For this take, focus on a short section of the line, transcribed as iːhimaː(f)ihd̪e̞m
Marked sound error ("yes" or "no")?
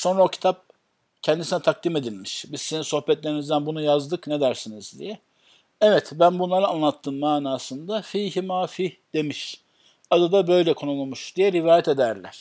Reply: no